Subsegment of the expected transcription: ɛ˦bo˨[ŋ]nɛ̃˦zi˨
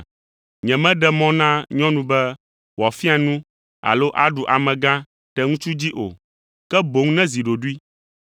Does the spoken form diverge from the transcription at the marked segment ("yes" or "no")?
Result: no